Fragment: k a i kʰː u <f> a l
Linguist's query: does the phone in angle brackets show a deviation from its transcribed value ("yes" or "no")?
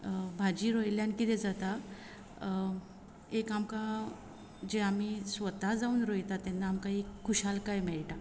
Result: yes